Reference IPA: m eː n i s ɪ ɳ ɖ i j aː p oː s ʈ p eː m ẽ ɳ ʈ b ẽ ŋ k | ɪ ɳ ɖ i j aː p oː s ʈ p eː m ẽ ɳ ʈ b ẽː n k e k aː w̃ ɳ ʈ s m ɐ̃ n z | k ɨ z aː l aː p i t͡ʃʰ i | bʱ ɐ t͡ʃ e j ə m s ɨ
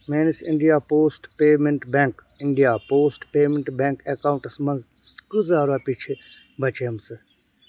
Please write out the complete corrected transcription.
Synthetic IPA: m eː n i s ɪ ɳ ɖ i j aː p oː s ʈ p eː m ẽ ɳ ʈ b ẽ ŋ k | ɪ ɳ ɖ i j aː p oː s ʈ p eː m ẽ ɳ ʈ b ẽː ŋ k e k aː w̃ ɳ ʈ s m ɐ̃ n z | k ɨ z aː ɾ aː p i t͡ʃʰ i | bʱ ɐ t͡ʃ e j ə m s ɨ